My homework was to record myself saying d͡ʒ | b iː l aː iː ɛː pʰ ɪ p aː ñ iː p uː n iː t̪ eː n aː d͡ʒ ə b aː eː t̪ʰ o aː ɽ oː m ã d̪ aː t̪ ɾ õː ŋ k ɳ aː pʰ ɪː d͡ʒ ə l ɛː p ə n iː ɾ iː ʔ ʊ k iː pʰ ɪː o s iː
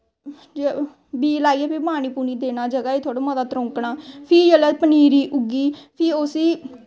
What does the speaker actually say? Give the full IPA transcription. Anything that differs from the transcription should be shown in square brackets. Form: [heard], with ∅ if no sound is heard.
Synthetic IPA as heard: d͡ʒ | b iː l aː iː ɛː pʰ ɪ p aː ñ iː p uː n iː [d̪] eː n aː d͡ʒ ə [ɡ] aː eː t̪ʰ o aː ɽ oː m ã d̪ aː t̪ ɾ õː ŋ k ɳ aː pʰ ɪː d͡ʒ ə l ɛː p ə n iː ɾ iː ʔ ʊ [ɡ] iː pʰ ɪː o s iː

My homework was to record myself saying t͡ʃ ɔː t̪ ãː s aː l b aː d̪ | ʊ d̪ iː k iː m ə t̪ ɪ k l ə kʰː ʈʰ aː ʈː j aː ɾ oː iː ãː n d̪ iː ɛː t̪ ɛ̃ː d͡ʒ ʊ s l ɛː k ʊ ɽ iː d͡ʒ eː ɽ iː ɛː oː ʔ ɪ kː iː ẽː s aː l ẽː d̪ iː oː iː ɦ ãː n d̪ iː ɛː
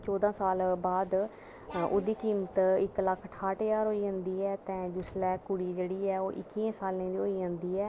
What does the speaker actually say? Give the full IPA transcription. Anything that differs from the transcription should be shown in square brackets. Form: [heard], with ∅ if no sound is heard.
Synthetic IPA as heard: t͡ʃ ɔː [d̪] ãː s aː l b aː d̪ | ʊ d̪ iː k iː m ə t̪ ɪ k l ə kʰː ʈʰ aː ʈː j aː ɾ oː iː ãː n d̪ iː ɛː t̪ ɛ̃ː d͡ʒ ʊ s l ɛː k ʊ ɽ iː d͡ʒ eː ɽ iː ɛː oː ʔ ɪ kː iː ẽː s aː l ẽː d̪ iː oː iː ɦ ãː n d̪ iː ɛː

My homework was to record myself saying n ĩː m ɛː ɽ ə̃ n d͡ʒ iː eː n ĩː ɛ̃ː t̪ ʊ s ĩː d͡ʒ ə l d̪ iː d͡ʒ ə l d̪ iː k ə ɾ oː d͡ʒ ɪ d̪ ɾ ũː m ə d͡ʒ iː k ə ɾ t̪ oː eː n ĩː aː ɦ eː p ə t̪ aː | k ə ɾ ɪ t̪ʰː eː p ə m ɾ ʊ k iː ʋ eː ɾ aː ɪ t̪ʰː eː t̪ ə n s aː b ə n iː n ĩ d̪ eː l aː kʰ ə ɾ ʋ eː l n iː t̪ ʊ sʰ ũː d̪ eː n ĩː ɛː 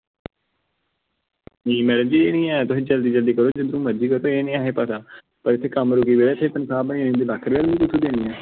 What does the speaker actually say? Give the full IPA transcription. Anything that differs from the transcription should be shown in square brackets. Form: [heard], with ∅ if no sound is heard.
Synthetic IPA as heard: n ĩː m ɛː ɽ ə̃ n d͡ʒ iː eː n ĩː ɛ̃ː t̪ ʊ s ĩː d͡ʒ ə l d̪ iː d͡ʒ ə l d̪ iː k ə ɾ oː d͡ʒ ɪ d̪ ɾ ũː m ə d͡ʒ iː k ə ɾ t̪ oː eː n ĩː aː ɦ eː p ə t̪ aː | [p] ə ɾ ɪ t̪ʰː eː [k] ə m ɾ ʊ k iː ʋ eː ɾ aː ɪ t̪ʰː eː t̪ ə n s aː b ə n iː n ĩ d̪ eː l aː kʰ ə ɾ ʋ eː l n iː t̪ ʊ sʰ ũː d̪ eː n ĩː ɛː

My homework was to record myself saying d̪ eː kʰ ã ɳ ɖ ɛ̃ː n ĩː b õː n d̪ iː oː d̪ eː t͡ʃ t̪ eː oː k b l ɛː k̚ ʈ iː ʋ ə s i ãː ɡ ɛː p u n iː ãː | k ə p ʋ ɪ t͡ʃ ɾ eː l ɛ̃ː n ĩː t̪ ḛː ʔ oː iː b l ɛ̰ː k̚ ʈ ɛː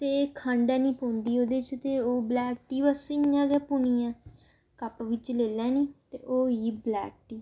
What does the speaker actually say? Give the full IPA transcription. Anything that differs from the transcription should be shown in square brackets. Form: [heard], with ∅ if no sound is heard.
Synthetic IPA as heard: [t̪] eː kʰ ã ɳ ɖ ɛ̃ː n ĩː [p] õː n d̪ iː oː d̪ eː t͡ʃ t̪ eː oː [∅] b l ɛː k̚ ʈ iː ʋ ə s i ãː ɡ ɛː p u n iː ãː | k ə p ʋ ɪ t͡ʃ [l] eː l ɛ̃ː n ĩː t̪ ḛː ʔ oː iː b l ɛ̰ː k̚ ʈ [iː]

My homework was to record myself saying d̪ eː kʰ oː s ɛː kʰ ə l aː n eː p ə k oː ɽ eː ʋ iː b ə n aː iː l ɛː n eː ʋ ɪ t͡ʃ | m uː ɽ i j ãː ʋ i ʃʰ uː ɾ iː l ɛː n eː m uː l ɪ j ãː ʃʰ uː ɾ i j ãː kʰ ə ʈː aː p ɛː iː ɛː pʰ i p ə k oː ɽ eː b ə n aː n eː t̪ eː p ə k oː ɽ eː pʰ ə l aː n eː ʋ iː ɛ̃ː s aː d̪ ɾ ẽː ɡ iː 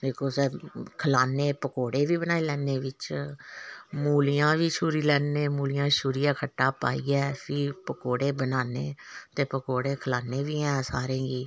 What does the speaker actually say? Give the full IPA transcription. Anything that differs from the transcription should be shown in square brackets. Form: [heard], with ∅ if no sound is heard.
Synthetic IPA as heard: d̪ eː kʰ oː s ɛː kʰ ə l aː n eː p ə k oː ɽ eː ʋ iː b ə n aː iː l ɛː n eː ʋ ɪ t͡ʃ | m uː [l] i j ãː ʋ [iː] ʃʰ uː ɾ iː l ɛː n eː m uː l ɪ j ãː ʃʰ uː ɾ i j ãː kʰ ə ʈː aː p [aː] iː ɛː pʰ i p ə k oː ɽ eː b ə n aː n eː t̪ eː p ə k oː ɽ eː [kʰ] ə l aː n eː ʋ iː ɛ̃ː s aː [∅] ɾ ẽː ɡ iː

